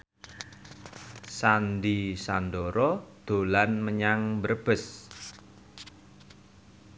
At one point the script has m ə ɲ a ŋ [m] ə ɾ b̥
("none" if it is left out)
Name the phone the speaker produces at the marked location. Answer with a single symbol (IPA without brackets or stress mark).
b